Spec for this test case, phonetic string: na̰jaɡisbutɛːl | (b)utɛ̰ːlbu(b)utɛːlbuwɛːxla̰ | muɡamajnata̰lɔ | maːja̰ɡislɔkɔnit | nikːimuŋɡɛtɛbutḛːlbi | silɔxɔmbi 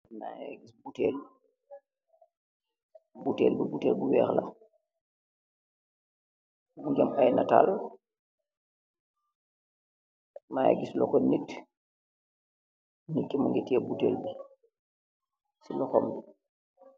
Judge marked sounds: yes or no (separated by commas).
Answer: yes, yes